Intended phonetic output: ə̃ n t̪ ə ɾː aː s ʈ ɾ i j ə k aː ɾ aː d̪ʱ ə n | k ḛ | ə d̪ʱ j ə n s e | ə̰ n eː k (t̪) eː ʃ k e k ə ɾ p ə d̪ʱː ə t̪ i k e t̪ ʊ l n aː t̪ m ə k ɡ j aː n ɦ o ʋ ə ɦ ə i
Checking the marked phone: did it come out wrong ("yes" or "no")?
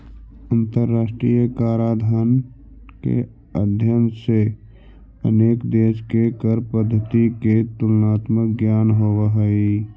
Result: yes